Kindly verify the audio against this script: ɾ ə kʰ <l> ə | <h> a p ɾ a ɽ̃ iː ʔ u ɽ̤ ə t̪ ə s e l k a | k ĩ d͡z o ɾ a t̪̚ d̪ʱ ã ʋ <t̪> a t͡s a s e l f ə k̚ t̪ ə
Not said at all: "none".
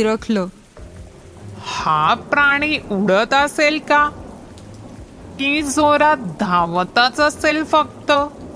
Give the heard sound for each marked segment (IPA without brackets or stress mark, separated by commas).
l, h, t̪